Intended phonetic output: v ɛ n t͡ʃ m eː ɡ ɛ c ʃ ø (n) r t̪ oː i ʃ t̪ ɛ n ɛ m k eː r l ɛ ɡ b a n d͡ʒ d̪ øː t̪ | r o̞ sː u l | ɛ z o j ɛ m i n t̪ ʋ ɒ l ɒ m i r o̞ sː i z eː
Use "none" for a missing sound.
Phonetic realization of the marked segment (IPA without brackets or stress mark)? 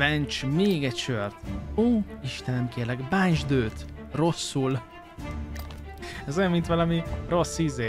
none